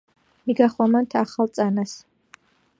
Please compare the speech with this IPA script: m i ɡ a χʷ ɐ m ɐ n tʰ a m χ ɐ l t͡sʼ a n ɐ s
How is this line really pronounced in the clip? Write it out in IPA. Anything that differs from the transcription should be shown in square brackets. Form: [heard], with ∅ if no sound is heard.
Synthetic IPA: m i ɡ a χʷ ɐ m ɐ n tʰ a [∅] χ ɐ l t͡sʼ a n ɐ s